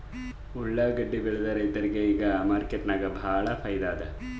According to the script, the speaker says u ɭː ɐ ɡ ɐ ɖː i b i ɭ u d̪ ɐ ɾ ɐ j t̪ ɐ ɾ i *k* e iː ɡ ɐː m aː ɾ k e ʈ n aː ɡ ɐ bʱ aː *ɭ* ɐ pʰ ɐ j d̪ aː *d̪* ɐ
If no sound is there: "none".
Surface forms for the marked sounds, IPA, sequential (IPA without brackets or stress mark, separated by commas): ɡ, ɭ, d̪